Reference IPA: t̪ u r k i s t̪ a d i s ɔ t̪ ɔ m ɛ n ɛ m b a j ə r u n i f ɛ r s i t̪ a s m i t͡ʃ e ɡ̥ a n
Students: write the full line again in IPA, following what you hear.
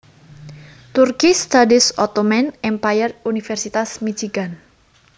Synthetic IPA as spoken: t̪ u r k i s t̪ a d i s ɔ t̪ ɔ m ɛ n ɛ m p a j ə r u n i f ɛ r s i t̪ a s m i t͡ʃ i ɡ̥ a n